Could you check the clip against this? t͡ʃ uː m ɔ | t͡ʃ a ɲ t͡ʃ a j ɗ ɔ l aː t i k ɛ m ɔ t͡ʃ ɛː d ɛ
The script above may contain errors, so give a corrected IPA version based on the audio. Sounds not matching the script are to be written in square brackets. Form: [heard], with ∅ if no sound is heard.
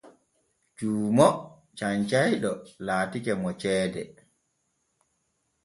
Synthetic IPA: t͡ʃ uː m ɔ | t͡ʃ a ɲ t͡ʃ a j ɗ ɔ l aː t i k ɛ m ɔ t͡ʃ ɛː d ɛ